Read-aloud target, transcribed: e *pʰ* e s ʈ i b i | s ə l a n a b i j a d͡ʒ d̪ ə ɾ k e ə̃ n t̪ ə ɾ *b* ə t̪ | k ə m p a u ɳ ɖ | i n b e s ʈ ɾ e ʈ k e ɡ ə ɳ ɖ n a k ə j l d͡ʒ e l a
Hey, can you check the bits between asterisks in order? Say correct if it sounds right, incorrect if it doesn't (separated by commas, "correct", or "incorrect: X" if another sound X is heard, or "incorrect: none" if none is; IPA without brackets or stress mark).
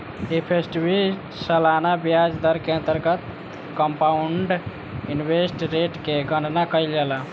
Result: correct, incorrect: ɡ